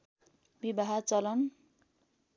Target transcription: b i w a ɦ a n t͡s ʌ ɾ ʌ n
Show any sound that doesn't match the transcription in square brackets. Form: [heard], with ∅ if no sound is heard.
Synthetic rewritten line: b i [b] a ɦ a [∅] t͡s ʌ [l] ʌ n